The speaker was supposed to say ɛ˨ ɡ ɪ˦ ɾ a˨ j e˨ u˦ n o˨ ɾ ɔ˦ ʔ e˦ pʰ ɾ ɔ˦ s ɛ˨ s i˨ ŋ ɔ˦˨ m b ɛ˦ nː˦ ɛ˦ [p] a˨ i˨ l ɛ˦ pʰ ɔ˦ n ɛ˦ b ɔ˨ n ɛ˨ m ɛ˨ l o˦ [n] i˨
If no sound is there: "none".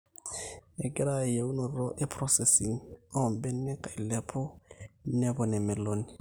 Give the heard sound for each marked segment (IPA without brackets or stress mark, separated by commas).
k, n